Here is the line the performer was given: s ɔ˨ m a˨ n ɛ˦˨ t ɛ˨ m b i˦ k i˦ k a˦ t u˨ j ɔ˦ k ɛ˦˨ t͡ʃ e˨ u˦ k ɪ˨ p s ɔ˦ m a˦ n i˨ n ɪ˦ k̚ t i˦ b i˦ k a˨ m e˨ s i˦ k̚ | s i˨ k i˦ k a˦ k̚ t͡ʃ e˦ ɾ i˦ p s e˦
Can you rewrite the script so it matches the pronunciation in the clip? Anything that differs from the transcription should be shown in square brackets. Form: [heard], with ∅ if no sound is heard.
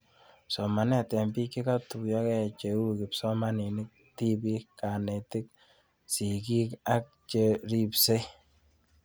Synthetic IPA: s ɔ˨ m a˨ n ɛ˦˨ t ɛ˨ m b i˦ k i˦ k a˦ t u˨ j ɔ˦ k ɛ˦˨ t͡ʃ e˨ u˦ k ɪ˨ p s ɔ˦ m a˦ n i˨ n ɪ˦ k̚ t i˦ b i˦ k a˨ [n] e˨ [t] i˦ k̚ | s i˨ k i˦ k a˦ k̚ t͡ʃ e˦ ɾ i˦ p s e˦